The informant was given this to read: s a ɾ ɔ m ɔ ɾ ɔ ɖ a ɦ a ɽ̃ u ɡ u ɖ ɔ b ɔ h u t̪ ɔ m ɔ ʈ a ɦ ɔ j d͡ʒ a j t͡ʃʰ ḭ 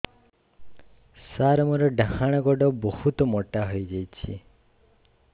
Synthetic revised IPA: s a ɾ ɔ m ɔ ɾ ɔ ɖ a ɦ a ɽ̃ ɔ ɡ ɔ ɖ ɔ b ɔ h u t̪ ɔ m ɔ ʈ a ɦ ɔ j d͡ʒ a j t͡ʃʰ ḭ